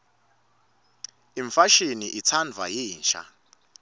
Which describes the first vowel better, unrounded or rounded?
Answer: unrounded